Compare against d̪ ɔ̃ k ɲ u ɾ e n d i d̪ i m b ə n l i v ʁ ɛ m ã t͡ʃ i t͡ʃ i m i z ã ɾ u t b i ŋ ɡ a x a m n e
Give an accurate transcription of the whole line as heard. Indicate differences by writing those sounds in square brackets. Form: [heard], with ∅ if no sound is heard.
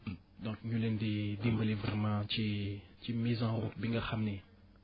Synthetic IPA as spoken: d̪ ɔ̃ k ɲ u [l] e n d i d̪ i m b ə [∅] l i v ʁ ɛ m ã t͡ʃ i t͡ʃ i m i z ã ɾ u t b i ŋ ɡ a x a m n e